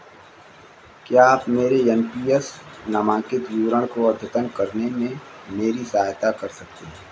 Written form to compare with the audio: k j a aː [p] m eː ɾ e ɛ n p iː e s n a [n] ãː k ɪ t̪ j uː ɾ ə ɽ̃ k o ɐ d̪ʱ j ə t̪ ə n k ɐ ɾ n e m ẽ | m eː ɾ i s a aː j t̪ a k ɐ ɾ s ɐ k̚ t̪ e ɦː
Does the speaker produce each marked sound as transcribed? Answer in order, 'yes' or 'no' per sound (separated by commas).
yes, no